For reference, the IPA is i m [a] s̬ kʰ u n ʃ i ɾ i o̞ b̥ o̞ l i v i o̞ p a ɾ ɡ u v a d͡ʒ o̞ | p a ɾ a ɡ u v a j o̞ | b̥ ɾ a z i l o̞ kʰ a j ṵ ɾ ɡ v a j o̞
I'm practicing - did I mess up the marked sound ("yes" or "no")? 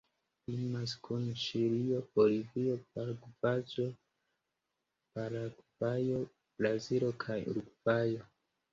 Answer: no